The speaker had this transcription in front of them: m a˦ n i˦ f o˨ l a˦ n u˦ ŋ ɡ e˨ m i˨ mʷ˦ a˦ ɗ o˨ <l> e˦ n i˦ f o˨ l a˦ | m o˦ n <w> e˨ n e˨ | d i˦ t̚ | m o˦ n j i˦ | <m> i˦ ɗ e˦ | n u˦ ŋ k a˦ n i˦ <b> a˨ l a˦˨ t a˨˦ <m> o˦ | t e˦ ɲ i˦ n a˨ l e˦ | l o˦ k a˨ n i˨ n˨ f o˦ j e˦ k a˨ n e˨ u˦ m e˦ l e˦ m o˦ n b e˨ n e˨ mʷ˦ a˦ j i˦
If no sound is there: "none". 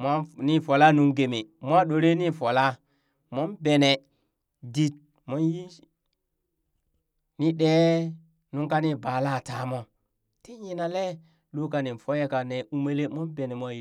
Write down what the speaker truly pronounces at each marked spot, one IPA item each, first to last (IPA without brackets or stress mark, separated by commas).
ɾ, b, n, b, m